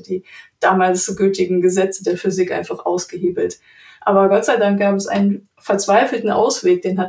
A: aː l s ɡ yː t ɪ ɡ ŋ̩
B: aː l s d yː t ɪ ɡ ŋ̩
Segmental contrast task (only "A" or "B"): A